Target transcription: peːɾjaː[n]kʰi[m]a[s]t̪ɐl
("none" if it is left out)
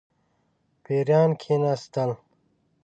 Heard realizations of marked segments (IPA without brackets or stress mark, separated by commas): n, n, s